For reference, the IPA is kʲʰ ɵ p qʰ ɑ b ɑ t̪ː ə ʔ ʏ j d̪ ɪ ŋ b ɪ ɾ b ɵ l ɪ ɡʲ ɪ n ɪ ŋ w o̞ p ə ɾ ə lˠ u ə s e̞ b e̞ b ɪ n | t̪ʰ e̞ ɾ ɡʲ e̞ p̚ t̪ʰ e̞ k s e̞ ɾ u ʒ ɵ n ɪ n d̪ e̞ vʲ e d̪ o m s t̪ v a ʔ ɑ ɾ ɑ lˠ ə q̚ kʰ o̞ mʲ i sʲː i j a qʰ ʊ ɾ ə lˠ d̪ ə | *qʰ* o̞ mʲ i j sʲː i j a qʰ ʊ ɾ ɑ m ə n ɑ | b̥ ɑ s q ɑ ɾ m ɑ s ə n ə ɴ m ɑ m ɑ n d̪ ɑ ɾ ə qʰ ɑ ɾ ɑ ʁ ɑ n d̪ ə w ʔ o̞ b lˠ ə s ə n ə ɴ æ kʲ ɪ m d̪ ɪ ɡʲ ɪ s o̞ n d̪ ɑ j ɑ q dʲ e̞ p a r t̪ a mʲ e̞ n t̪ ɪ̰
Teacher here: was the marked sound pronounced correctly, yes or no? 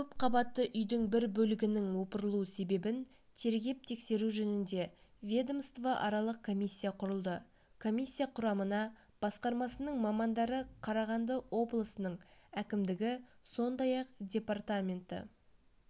no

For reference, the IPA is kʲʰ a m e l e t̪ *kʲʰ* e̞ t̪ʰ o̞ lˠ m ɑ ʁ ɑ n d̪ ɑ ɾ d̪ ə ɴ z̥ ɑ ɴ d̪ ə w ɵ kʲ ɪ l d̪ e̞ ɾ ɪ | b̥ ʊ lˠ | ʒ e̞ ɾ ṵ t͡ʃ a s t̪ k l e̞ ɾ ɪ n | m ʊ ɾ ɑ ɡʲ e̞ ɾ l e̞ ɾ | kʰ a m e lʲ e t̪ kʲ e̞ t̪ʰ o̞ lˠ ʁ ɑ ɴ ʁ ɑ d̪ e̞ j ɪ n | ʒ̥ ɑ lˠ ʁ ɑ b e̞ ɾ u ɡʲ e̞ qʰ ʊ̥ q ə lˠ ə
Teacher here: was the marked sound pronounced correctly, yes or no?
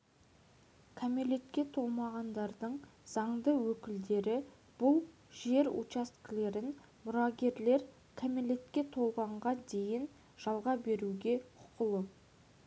no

